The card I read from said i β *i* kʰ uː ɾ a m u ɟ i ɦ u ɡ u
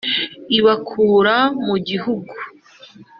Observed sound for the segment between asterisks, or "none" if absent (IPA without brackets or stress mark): a